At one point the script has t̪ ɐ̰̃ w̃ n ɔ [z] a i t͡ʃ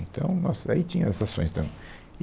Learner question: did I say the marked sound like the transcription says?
no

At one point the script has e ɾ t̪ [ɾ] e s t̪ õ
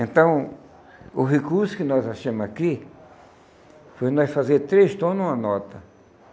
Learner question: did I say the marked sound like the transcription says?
yes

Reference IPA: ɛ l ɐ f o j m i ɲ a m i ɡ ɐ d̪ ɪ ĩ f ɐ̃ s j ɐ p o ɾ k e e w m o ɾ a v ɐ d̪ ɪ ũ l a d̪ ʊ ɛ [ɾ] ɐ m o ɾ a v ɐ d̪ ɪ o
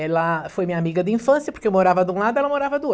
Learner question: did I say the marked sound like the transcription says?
no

